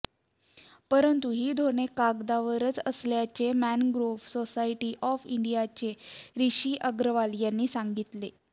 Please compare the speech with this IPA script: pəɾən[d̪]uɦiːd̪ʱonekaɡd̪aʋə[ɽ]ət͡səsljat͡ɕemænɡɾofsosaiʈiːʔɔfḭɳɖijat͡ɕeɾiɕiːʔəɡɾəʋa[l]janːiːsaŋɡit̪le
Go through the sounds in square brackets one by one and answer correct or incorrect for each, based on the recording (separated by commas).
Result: incorrect, incorrect, correct